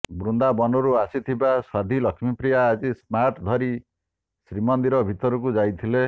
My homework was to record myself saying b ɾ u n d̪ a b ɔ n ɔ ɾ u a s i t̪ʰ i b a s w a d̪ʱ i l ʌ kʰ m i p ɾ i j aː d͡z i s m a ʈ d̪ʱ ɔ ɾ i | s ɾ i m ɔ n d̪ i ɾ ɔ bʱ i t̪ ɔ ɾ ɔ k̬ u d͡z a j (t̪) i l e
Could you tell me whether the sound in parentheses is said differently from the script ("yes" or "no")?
yes